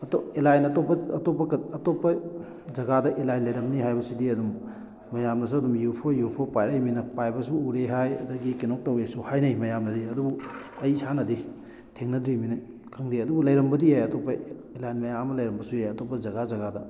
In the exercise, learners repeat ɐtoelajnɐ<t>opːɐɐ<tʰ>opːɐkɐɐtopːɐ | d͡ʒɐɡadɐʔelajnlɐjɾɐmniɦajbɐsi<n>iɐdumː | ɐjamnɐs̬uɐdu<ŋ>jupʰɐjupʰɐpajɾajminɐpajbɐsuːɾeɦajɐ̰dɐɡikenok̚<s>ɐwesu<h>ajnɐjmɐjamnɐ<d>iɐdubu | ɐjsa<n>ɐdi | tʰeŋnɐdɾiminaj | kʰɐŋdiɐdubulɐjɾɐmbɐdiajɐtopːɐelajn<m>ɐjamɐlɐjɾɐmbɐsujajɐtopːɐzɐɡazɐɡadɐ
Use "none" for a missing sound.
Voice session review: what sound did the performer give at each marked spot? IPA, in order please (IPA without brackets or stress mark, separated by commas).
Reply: t, t, d, m, t, h, d, n, m